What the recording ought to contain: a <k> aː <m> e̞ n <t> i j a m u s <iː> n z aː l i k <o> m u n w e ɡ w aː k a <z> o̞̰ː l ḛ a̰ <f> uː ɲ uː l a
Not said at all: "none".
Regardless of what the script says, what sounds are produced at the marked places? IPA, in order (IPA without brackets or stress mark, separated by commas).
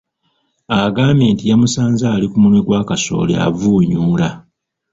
ɡ, m, t, aː, u, s, v